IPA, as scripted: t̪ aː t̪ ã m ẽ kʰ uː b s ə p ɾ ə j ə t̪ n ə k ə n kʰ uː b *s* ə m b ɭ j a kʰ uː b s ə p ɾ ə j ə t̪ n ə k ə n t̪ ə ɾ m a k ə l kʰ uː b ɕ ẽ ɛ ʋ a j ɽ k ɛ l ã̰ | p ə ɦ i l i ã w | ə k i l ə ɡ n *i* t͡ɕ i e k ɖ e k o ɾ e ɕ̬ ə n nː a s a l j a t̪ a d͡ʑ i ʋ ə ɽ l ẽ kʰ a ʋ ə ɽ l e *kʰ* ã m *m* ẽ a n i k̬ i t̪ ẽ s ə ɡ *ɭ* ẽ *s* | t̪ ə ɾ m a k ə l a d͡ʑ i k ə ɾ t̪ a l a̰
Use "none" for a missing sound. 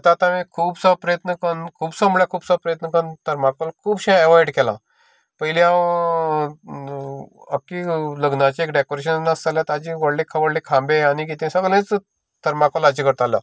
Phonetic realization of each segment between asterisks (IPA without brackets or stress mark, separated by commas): s, a, kʰ, b, l, t͡s